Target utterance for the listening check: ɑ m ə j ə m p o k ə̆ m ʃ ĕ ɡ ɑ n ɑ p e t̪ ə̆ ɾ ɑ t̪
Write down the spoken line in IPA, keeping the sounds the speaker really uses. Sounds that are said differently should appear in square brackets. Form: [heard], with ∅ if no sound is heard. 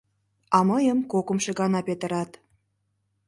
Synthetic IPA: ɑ m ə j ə m [k] o k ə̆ m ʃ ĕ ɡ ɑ n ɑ p e t̪ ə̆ ɾ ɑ t̪